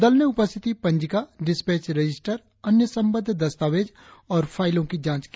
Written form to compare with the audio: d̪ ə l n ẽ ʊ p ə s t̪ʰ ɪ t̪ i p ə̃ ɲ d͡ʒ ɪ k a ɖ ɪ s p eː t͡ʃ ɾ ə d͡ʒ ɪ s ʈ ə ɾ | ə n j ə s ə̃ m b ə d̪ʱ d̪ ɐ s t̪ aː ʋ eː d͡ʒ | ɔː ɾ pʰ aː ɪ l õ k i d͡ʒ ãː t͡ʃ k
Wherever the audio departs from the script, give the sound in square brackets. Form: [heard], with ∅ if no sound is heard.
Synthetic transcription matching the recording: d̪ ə l n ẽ ʊ p ə s t̪ʰ ɪ t̪ i p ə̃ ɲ d͡ʒ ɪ k a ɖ ɪ s p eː t͡ʃ ɾ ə d͡ʒ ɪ s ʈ ə ɾ | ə n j ə s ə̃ m b ə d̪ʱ d̪ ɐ s t̪ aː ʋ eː d͡ʒ | ɔː ɾ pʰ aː ɪ l õ k i d͡ʒ ãː t͡ʃ k